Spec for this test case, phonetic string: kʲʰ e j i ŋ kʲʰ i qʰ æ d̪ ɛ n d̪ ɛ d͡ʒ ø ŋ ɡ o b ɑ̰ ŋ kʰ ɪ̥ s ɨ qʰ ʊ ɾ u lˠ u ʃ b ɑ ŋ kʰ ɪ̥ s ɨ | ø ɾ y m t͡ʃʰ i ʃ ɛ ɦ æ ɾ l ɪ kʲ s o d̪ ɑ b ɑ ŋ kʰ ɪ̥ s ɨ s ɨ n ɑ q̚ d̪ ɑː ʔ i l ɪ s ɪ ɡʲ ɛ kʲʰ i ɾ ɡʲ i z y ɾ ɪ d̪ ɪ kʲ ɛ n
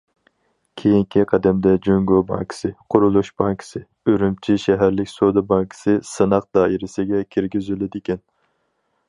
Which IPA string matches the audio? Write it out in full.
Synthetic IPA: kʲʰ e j i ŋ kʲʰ i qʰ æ d̪ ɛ m d̪ ɛ d͡ʒ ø ŋ ɡ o b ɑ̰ ŋ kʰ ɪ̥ s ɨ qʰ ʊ ɾ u lˠ u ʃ b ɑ ŋ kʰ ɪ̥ s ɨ | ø ɾ y m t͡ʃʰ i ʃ ɛ ɦ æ ɾ l ɪ kʲ s o d̪ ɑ b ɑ ŋ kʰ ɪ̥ s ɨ s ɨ n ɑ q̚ d̪ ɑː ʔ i ɾ ɪ s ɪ ɡʲ ɛ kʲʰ i ɾ ɡʲ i z y l ɪ d̪ ɪ kʲ ɛ n